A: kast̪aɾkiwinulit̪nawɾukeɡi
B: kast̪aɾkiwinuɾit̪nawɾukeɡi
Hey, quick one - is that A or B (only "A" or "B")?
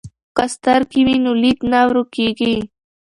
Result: A